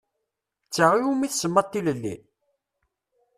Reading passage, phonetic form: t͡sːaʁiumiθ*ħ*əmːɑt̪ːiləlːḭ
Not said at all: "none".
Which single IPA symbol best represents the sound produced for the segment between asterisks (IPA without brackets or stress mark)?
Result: s